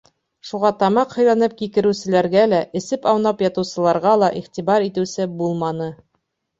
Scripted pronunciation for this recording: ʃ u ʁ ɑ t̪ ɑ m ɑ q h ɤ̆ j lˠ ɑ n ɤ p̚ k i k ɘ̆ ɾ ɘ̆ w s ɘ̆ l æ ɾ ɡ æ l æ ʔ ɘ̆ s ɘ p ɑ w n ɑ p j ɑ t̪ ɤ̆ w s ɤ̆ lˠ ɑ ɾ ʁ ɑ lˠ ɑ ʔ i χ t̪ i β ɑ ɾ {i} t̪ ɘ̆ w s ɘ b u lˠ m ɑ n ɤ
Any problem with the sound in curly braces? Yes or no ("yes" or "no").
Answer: no